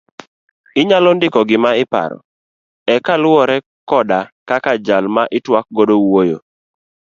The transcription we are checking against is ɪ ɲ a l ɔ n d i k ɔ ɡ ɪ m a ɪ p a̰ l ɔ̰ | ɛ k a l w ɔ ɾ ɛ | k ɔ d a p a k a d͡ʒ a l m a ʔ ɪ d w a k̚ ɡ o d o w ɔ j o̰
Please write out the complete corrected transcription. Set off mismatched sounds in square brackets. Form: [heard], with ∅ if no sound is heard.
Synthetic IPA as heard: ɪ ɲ a l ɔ n d [ɪ] k ɔ ɡ ɪ m a ɪ p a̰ [ɾ] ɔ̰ | ɛ k a l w ɔ ɾ ɛ | k ɔ d a [k] a k a d͡ʒ a l m a ʔ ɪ [t] w a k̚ ɡ o d o w [o] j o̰

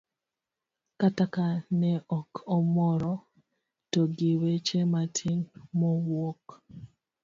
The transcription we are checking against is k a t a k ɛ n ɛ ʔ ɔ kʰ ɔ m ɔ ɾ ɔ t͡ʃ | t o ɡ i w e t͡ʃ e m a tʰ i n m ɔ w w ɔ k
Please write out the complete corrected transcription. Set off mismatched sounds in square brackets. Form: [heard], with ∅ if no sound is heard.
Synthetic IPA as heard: k a t a k [a] n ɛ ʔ ɔ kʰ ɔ m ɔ ɾ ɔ [∅] | t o ɡ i w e t͡ʃ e m a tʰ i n m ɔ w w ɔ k

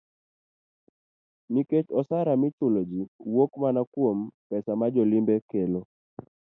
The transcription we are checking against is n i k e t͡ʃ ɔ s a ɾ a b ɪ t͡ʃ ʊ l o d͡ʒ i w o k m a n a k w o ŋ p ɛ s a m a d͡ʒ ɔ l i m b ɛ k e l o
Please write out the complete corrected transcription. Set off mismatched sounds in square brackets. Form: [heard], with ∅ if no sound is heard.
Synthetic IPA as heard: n i k e t͡ʃ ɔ s a ɾ a [m] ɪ t͡ʃ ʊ l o d͡ʒ i w o k m a n a k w o [m] p ɛ s a m a d͡ʒ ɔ l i m b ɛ k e l o

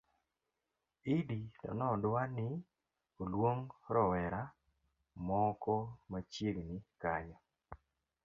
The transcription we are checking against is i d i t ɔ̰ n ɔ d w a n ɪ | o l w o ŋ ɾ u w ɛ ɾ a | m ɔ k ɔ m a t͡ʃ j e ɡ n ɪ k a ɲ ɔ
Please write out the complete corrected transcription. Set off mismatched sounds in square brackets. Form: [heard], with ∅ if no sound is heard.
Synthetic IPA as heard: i d i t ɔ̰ n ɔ d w a n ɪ | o l w o ŋ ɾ [ɔ] w ɛ ɾ a | m ɔ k ɔ m a t͡ʃ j e ɡ n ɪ k a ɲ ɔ

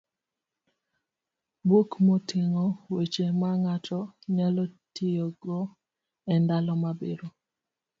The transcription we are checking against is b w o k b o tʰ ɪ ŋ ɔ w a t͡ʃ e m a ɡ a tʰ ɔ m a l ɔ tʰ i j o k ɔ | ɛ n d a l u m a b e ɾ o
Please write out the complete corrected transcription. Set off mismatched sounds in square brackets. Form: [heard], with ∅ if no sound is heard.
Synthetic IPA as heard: b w o k [m] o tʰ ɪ ŋ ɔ w [e] t͡ʃ e m a [ŋ] a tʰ ɔ [ɲ] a l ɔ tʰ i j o [ɡ] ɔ | ɛ n d a l [ɔ] m a b e ɾ o

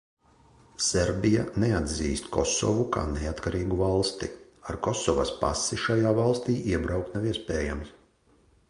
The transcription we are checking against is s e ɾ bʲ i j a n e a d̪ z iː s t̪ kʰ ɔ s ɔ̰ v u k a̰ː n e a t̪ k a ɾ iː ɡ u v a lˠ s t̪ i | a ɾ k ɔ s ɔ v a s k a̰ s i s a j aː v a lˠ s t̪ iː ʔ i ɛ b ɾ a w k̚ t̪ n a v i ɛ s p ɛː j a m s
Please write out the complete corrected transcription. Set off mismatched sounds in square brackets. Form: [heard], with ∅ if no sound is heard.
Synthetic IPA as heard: s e ɾ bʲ i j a n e a d̪ z iː s t̪ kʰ ɔ s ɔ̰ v u k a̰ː n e a t̪ k a ɾ iː ɡ u v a lˠ s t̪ i | a ɾ k ɔ s ɔ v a s [p] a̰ s i [ʃ] a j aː v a lˠ s t̪ iː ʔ i ɛ b ɾ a w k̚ t̪ n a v i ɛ s p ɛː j a m s

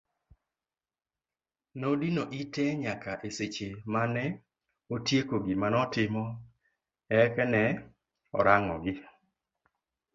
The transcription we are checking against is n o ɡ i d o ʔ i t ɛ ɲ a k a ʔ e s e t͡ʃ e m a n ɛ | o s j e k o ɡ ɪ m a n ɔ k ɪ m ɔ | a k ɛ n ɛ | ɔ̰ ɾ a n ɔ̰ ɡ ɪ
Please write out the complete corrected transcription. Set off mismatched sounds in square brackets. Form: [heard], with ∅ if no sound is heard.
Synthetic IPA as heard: n o [d] i [n] o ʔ i t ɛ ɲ a k a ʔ e s e t͡ʃ e m a n ɛ | o [t] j e k o ɡ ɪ m a n ɔ [t] ɪ m ɔ | [ɛ] k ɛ n ɛ | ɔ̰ ɾ a [ŋ] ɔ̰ ɡ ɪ

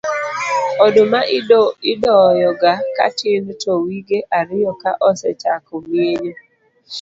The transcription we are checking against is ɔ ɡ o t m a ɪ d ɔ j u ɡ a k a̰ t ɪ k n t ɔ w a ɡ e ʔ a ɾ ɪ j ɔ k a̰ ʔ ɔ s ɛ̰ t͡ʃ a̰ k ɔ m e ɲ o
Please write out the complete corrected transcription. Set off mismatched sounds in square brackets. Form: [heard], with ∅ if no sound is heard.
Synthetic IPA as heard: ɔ [d] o [∅] m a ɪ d ɔ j [ɔ] ɡ a k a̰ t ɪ [∅] n t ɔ w [i] ɡ e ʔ a ɾ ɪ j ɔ k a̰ ʔ ɔ s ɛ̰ t͡ʃ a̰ k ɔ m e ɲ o

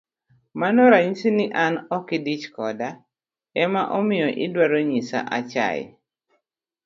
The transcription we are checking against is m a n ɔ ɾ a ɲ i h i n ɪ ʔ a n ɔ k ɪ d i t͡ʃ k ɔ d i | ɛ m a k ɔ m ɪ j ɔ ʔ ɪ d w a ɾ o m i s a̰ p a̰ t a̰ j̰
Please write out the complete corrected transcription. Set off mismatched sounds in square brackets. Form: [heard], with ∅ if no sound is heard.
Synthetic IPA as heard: m a n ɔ ɾ a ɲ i [s] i n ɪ ʔ a n ɔ k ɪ d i t͡ʃ k ɔ d [a] | ɛ m a [ʔ] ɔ m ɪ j ɔ ʔ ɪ d w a ɾ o [ɲ] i s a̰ [ʔ] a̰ [t͡ʃ] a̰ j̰

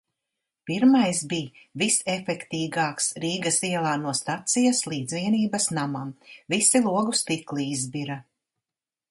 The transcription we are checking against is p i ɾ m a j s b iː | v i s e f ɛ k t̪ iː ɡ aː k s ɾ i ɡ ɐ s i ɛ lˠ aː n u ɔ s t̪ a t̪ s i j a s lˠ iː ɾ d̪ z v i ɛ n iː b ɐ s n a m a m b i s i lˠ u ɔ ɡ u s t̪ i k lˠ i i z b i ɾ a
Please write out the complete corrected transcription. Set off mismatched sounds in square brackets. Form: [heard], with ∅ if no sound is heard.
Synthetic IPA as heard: p i ɾ m a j s b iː | v i s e f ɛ k t̪ iː ɡ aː k s ɾ [iː] ɡ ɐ s i ɛ lˠ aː n u ɔ s t̪ a t̪ s i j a s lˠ iː [∅] d̪ z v i ɛ n iː b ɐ s n a m a m [v] i s i lˠ u ɔ ɡ u s t̪ i k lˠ i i z b i ɾ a

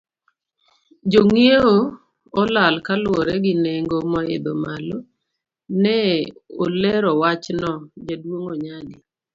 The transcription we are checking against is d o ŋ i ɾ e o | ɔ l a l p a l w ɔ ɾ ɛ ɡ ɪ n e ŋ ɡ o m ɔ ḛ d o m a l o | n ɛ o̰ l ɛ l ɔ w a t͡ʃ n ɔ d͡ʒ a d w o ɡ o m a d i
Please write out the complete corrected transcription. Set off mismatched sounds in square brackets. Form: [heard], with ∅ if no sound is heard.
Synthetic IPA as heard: [d͡ʒ] o ŋ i [∅] e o | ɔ l a l [k] a l w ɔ ɾ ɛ ɡ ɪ n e ŋ ɡ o m ɔ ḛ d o m a l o | n ɛ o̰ l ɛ [ɾ] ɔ w a t͡ʃ n ɔ d͡ʒ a d w o [ŋ] o [ɲ] a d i

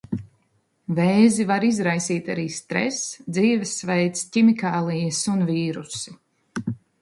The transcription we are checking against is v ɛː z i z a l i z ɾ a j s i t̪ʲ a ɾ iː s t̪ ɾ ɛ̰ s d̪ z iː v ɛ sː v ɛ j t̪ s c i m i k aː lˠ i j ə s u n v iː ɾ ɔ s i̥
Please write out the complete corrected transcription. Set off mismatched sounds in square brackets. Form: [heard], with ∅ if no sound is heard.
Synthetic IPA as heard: v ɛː z i [v] a [ɾ] i z ɾ a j s [iː] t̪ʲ a ɾ iː s t̪ ɾ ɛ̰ s d̪ z iː v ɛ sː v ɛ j t̪ s c i m i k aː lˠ i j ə s u n v iː ɾ [u] s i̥

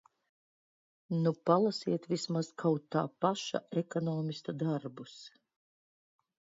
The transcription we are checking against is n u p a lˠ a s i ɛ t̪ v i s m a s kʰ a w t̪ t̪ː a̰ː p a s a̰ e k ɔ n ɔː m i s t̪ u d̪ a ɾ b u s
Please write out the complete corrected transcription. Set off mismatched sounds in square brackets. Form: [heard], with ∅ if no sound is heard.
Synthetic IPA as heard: n u p a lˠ a s i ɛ t̪ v i s m a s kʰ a w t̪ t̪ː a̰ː p a [ʃ] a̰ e k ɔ n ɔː m i s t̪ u d̪ a ɾ b u s

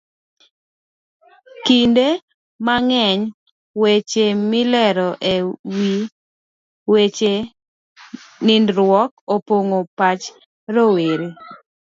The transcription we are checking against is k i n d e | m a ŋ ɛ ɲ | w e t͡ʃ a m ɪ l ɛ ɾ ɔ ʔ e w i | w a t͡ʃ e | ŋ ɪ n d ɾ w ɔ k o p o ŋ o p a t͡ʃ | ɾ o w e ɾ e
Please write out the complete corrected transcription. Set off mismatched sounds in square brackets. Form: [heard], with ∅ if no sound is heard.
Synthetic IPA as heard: k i n d e | m a ŋ ɛ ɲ | w e t͡ʃ [e] m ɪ l ɛ ɾ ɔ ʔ e w i | w [e] t͡ʃ e | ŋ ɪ n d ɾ w ɔ k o p o ŋ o p a t͡ʃ | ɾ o w e ɾ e

